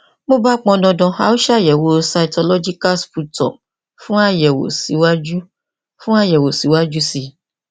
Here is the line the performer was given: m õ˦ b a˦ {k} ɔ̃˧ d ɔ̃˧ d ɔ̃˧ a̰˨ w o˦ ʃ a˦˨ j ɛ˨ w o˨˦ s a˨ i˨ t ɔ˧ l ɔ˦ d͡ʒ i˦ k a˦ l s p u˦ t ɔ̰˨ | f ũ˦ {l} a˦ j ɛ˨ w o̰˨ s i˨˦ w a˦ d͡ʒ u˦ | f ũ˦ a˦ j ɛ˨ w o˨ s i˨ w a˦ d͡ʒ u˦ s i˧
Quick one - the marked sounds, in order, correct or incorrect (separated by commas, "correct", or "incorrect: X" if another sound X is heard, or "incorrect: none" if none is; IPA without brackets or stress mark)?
incorrect: k͡p, incorrect: none